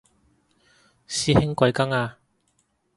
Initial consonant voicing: voiceless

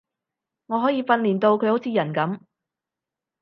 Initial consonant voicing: voiced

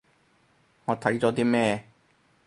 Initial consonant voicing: voiced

